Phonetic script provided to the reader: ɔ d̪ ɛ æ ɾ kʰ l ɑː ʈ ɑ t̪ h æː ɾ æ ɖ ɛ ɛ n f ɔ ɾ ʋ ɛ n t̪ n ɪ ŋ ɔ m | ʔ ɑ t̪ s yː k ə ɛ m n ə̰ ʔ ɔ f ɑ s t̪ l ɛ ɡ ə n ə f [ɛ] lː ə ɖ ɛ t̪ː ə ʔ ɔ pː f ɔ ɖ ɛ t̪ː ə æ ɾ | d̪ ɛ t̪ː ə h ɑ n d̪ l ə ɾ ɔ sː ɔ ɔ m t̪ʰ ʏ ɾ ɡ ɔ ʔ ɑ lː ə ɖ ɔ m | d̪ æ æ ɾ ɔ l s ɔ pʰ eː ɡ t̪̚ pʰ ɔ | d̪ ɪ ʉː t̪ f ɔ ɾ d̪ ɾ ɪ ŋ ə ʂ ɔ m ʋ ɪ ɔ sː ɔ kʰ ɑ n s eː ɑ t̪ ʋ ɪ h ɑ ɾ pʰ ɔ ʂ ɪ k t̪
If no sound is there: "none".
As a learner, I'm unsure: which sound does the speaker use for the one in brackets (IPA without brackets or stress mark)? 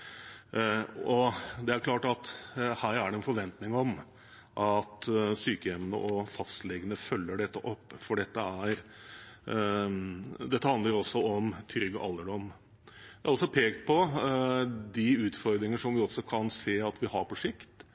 œ